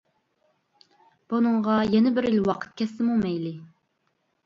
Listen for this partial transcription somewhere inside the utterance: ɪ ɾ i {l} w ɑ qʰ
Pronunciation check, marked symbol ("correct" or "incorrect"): correct